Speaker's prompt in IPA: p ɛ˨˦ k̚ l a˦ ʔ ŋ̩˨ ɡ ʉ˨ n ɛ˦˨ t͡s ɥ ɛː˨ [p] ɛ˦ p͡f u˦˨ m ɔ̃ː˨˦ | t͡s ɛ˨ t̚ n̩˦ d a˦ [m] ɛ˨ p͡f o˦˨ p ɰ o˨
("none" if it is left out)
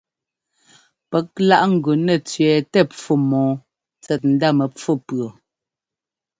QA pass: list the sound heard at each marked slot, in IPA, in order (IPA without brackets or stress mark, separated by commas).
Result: t, m